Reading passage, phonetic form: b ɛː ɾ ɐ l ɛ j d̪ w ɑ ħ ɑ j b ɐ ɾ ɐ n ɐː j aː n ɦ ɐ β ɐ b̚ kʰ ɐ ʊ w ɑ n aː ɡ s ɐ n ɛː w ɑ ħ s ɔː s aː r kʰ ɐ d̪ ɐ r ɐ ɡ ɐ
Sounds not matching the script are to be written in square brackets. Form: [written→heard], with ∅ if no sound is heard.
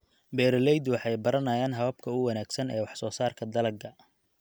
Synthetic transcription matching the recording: b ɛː ɾ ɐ l ɛ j d̪ w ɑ ħ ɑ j b ɐ ɾ ɐ n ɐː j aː n ɦ ɐ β ɐ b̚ kʰ ɐ ʊ w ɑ n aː ɡ s ɐ n ɛː w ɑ ħ s ɔː s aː r kʰ ɐ d̪ ɐ [r→l] ɐ ɡ ɐ

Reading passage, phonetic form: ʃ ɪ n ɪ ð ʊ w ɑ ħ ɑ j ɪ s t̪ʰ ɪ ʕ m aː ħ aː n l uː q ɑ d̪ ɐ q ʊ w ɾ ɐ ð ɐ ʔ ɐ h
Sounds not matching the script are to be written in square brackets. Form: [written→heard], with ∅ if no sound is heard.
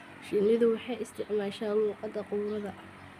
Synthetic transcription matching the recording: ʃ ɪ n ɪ ð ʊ w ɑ ħ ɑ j ɪ s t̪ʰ ɪ ʕ m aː [ħ→ʃ] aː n l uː q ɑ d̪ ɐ q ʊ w ɾ ɐ ð ɐ ʔ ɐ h

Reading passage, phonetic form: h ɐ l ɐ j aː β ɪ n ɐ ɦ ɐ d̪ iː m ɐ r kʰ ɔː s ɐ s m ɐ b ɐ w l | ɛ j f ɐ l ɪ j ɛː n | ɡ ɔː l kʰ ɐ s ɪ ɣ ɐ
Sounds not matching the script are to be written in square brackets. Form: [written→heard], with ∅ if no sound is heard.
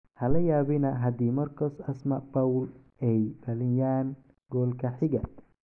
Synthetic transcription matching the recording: h ɐ l ɐ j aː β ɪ n ɐ ɦ ɐ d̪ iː m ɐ r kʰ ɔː s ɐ s m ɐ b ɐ w l | ɛ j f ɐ l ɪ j [ɛː→aː] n | ɡ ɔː l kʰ ɐ [s→ħ] ɪ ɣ ɐ

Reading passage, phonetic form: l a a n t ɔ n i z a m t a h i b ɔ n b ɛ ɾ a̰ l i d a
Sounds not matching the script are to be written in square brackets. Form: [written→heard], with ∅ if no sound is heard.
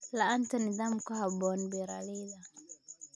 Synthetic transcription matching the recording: l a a n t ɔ n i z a m [t→k] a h [i→a] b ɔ n b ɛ ɾ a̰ l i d a

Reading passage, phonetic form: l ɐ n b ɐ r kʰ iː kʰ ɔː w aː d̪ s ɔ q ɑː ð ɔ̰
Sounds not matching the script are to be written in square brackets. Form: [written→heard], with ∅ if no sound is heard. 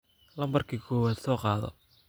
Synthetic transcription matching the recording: l ɐ [n→m] b ɐ r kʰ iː kʰ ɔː w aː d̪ s [ɔ→ɔː] q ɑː ð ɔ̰

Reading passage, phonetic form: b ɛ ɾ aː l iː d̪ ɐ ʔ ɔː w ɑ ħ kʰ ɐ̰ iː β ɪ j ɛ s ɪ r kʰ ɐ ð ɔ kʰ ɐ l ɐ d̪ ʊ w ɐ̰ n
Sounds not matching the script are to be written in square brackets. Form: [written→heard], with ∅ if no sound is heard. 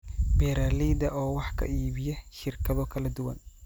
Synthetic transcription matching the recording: b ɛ ɾ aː l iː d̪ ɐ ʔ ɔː w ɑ ħ kʰ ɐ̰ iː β ɪ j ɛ [s→ʃ] ɪ r kʰ ɐ ð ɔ kʰ ɐ l ɐ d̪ ʊ w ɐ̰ n

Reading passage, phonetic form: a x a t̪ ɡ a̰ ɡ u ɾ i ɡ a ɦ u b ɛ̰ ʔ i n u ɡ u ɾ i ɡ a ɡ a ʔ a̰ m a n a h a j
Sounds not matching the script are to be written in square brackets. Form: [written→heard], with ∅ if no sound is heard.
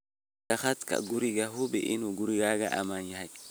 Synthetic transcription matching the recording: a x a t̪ [ɡ→k] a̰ ɡ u ɾ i ɡ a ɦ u b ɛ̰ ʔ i n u ɡ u ɾ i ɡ a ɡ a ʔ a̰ m a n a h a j

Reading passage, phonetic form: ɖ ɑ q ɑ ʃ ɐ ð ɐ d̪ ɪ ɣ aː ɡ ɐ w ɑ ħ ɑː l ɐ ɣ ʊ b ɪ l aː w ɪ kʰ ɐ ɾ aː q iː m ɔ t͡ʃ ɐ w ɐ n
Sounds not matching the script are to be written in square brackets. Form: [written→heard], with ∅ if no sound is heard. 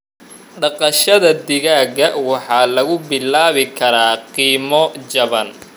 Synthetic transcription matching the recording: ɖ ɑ q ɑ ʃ ɐ ð ɐ d̪ ɪ ɣ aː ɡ ɐ w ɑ ħ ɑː l ɐ ɣ ʊ b ɪ l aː [w→β] ɪ kʰ ɐ ɾ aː q iː m ɔ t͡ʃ ɐ [w→β] ɐ n

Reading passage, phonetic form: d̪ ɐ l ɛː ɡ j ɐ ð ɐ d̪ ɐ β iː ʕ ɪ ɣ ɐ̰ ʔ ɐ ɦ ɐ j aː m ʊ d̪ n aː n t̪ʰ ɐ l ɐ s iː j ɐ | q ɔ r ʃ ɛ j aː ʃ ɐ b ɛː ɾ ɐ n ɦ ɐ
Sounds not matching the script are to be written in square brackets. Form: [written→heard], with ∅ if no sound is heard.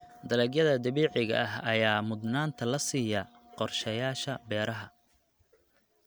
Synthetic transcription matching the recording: d̪ ɐ l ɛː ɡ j ɐ ð ɐ d̪ ɐ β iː ʕ ɪ ɣ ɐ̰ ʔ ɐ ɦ ɐ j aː m ʊ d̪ n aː n t̪ʰ ɐ l ɐ s iː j ɐ | q ɔ r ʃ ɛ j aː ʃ ɐ b ɛː ɾ ɐ [n→∅] ɦ ɐ

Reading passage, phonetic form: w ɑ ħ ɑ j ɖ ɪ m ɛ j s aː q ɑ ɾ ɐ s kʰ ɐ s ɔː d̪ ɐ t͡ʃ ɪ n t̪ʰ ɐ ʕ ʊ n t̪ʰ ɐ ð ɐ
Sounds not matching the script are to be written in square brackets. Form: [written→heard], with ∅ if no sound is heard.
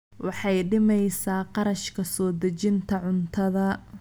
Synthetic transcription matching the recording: w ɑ ħ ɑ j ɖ ɪ m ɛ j s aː q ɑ ɾ ɐ [s→ʃ] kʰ ɐ s ɔː d̪ ɐ t͡ʃ ɪ n t̪ʰ ɐ ʕ ʊ n t̪ʰ ɐ ð ɐ

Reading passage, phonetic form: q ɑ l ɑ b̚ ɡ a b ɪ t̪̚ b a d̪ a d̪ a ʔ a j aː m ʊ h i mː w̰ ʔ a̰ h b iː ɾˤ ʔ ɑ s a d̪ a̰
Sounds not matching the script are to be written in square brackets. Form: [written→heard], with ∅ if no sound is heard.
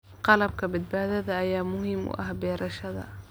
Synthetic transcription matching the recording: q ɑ l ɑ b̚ [ɡ→k] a b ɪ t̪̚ b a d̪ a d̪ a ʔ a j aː m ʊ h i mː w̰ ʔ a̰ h b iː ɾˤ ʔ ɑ [s→ʃ] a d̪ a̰

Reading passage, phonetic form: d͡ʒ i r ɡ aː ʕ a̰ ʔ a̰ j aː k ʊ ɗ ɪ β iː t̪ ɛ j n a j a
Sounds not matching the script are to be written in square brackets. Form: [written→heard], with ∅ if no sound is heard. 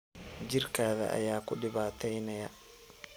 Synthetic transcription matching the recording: d͡ʒ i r [ɡ→k] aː [ʕ→ð] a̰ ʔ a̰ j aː k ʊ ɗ ɪ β [iː→aː] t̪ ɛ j n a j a

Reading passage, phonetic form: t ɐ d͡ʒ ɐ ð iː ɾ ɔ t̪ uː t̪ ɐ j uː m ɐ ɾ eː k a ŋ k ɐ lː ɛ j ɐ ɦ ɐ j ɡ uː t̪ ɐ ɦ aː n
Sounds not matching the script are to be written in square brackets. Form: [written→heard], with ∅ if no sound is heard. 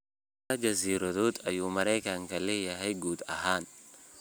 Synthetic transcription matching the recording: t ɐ d͡ʒ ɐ [ð→z] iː ɾ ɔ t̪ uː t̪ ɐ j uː m ɐ ɾ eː k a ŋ k ɐ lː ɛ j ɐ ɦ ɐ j ɡ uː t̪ ɐ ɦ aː n

